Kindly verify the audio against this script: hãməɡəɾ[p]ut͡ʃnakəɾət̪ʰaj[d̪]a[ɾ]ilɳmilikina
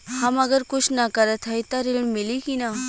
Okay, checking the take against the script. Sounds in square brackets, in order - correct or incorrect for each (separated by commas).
incorrect, incorrect, correct